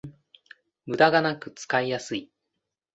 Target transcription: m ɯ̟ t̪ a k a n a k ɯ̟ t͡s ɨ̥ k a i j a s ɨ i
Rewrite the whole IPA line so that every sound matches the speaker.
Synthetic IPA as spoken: m ɯ̟ d̪ a ɡ a n a k ɯ̟ t͡s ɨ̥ k a i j a s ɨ i